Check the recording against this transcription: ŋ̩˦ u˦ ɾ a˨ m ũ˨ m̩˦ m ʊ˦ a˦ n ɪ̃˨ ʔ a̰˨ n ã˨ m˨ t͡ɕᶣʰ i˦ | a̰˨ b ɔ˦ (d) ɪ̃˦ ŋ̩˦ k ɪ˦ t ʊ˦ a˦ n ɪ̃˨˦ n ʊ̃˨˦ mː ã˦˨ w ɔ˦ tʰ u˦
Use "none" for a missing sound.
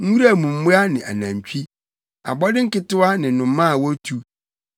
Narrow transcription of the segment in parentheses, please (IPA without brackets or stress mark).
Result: d